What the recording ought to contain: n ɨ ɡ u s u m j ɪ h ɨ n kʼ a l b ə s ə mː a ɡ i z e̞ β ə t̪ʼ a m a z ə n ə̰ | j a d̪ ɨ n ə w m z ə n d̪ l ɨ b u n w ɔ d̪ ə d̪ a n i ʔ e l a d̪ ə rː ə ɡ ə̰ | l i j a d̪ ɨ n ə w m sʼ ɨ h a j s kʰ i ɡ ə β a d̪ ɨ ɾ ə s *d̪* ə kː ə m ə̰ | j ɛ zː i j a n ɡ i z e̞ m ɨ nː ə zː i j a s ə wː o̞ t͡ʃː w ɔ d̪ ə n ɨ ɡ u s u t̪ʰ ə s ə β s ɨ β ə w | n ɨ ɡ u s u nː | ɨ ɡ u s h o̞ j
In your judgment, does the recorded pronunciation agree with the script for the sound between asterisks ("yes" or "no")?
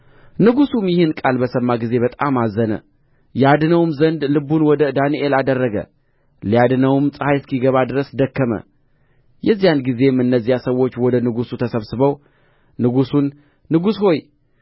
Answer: yes